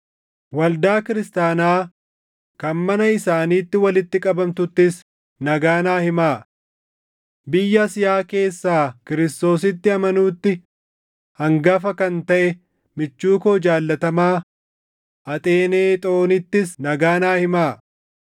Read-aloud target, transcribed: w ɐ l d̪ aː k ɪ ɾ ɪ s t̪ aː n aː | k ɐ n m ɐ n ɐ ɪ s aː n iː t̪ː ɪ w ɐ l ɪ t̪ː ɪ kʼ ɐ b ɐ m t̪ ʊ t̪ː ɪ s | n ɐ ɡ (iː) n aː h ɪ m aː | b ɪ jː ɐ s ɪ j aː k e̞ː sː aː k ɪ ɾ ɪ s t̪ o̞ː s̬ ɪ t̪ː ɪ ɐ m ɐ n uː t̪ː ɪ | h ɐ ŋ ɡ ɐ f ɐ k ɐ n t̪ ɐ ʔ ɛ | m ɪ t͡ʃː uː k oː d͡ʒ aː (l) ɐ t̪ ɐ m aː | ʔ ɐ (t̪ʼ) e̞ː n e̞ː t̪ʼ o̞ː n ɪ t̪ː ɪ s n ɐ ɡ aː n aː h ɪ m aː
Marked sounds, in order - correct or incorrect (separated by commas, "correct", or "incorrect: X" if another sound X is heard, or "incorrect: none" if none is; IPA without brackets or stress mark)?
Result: incorrect: aː, incorrect: lː, correct